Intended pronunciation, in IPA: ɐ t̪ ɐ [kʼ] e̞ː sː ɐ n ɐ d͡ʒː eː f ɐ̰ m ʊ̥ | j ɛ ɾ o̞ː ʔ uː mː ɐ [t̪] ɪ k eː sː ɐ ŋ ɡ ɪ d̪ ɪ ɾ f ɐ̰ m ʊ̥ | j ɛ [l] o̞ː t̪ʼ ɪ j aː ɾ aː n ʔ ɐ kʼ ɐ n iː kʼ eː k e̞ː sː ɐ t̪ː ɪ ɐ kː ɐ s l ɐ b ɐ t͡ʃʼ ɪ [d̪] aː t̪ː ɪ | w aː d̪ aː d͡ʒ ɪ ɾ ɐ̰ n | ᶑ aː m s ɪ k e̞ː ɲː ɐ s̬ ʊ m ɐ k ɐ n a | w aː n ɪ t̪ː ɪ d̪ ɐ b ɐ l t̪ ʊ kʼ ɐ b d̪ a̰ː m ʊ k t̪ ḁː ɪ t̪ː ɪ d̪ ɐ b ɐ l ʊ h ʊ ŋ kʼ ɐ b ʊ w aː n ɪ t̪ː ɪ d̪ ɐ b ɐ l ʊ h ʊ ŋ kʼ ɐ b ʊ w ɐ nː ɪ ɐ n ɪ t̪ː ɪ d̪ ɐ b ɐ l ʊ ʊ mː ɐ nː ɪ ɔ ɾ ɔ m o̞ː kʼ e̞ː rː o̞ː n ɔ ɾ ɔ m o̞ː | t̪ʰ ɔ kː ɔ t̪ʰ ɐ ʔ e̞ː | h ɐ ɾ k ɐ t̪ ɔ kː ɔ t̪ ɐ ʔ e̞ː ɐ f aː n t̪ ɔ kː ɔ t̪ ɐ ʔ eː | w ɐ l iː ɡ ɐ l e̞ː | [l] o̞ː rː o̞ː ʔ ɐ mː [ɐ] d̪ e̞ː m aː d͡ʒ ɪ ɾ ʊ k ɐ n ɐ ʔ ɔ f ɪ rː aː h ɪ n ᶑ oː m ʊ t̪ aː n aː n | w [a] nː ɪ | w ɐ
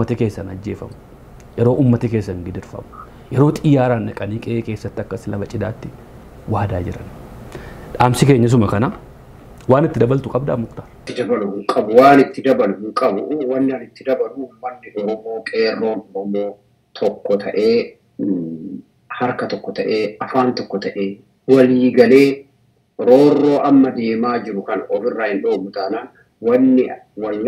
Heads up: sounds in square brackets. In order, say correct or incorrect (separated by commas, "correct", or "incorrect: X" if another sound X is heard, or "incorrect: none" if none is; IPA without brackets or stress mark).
incorrect: k, correct, incorrect: ɾ, correct, incorrect: ɾ, correct, incorrect: ɐ